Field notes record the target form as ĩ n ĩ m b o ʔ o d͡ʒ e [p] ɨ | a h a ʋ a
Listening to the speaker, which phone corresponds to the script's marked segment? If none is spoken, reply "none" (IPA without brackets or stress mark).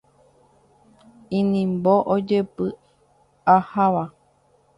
p